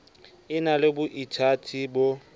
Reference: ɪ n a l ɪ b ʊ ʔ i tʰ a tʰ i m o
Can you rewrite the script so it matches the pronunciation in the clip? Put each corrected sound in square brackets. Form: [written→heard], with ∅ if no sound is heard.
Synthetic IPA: ɪ n a l ɪ b ʊ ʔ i tʰ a tʰ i [m→b] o